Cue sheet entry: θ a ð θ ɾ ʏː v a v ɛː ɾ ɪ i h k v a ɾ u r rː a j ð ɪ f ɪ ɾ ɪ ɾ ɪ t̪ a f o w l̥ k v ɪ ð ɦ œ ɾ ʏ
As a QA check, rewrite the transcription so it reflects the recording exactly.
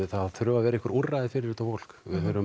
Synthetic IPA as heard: θ a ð θ ɾ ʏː v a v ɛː ɾ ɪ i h k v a ɾ u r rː a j ð ɪ f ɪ ɾ ɪ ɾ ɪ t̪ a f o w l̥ k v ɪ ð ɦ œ ɾ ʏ